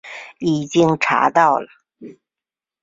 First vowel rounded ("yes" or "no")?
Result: no